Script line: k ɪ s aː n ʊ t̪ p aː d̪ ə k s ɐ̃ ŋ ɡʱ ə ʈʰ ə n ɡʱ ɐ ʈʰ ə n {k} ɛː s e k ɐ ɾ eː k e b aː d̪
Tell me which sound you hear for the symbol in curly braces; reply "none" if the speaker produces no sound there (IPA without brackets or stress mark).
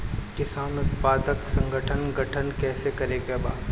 k